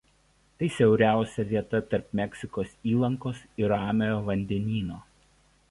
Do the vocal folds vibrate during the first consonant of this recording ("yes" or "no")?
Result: no